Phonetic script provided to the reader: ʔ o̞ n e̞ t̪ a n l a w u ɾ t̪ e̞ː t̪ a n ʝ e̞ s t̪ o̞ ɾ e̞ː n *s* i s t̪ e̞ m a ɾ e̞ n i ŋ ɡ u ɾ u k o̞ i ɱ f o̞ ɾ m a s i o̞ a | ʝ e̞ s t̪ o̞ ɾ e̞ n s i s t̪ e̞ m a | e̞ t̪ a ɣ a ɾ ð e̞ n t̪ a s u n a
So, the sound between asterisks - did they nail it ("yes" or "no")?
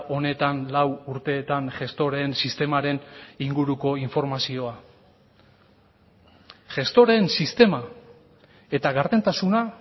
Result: yes